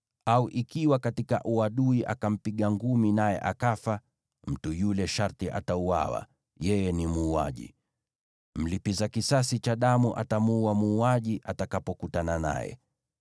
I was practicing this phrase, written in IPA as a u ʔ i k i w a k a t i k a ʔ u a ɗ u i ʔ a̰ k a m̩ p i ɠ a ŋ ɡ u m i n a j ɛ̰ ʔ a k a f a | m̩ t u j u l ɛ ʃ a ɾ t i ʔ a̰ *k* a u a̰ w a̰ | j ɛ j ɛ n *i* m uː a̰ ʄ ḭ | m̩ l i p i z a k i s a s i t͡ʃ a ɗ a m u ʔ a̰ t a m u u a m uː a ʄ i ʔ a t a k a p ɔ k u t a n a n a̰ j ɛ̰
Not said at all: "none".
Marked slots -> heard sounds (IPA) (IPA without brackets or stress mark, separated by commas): t, i